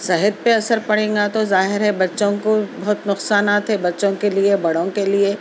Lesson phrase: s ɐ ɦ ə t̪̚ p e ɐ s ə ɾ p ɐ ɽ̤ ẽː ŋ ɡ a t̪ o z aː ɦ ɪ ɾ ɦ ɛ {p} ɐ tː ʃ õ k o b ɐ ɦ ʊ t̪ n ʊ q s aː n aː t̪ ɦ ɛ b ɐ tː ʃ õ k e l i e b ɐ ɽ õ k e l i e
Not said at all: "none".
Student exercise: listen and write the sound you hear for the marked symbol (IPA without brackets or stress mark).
b